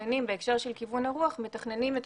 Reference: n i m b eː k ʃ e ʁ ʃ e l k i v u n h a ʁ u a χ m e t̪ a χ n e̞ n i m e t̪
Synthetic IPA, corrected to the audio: n i m b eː k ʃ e ʁ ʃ e l k i v u n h a ʁ u a χ m e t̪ a χ n e̞ n i m e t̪